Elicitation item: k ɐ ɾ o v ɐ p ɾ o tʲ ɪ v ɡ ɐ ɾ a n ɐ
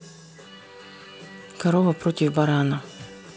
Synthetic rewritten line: k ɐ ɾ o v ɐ p ɾ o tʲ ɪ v b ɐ ɾ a n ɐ